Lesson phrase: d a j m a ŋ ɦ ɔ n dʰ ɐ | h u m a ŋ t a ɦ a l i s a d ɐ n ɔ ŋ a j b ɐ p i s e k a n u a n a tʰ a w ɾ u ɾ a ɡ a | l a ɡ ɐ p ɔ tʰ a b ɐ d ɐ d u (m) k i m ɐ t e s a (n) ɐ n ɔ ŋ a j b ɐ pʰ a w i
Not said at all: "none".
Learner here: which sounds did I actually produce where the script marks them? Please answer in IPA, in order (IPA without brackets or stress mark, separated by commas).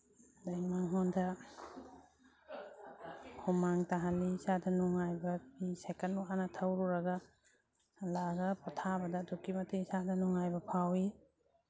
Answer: none, d